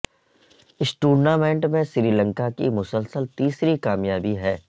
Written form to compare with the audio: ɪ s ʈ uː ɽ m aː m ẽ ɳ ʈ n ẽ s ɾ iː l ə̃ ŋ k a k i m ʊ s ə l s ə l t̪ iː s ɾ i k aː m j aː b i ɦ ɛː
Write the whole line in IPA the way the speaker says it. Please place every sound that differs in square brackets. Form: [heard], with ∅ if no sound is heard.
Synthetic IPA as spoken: ɪ s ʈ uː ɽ [n] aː m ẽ ɳ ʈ [m] ẽ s ɾ iː l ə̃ ŋ k a k i m ʊ s ə l s ə l t̪ iː s ɾ i k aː m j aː b i ɦ ɛː